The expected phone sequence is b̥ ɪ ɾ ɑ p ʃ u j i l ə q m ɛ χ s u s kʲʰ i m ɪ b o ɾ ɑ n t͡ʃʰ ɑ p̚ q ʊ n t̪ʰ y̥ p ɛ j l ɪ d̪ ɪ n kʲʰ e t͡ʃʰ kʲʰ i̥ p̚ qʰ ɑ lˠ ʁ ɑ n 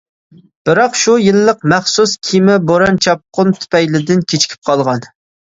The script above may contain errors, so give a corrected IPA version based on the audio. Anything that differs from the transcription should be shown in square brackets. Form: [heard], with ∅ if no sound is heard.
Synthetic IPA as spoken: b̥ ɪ ɾ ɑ [q] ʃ u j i [lː] ə q m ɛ χ s u s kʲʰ i m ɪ b o ɾ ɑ n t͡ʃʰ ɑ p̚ q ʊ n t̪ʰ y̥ p ɛ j l ɪ d̪ ɪ n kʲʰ e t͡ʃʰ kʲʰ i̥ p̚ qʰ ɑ lˠ ʁ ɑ n